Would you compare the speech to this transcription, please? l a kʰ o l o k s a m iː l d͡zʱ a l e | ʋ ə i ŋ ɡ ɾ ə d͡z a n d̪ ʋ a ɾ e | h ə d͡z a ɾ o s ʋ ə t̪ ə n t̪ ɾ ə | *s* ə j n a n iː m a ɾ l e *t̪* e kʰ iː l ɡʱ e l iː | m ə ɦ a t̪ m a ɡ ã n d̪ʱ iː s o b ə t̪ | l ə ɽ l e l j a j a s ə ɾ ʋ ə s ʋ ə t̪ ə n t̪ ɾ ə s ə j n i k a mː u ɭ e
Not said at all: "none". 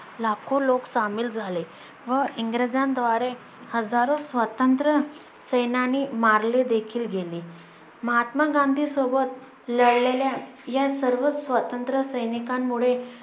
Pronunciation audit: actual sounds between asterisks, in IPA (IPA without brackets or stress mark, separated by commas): s, d̪